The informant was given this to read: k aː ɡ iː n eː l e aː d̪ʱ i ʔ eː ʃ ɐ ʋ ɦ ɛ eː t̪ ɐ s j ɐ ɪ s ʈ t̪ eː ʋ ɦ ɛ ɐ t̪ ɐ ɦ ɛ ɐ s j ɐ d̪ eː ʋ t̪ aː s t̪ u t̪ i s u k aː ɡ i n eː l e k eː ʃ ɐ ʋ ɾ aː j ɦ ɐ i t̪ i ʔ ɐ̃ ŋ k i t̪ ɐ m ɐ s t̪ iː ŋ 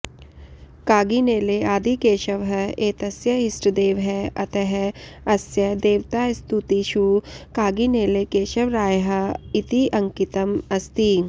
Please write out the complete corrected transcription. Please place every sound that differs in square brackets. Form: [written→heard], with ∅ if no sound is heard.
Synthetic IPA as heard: k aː ɡ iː n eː l e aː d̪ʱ i [ʔ→k] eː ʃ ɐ ʋ ɦ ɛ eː t̪ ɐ s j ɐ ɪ s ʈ [t̪→d̪] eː ʋ ɦ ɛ ɐ t̪ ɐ ɦ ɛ ɐ s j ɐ d̪ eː ʋ t̪ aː s t̪ u t̪ i [s→ʃ] u k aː ɡ i n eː l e k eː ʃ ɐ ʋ ɾ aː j ɦ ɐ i t̪ i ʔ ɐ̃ ŋ k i t̪ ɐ m ɐ s t̪ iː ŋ